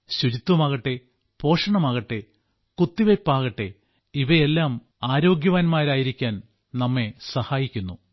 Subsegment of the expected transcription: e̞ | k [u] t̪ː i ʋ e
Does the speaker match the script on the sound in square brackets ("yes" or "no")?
yes